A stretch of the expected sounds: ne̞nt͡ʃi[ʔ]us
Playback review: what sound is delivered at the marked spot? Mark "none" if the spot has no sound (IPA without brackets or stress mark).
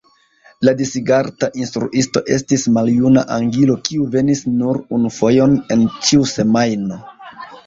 none